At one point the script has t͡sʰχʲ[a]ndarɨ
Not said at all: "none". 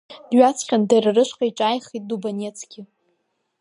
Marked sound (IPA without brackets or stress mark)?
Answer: a